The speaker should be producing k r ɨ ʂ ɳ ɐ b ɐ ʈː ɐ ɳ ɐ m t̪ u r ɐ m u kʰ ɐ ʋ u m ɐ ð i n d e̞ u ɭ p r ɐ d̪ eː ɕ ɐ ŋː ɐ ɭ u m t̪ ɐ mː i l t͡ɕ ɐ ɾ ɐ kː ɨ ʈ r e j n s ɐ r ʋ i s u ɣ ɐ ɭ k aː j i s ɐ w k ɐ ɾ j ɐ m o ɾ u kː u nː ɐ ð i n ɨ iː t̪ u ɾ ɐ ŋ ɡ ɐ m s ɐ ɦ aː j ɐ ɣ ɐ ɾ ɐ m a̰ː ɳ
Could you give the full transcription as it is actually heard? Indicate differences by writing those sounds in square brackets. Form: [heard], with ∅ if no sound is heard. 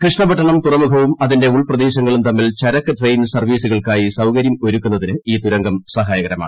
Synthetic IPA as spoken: k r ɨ ʂ ɳ ɐ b ɐ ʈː ɐ ɳ ɐ m t̪ u r ɐ m u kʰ ɐ ʋ u m ɐ ð i n d e̞ u ɭ p r ɐ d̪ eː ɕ ɐ ŋː ɐ ɭ u m t̪ ɐ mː i l t͡ɕ ɐ ɾ ɐ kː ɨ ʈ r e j n s ɐ r ʋ [iː] s u ɣ ɐ ɭ k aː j i s ɐ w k ɐ ɾ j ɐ m o ɾ u kː u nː ɐ ð i n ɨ iː t̪ u ɾ ɐ ŋ ɡ ɐ m s ɐ ɦ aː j ɐ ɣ ɐ ɾ ɐ m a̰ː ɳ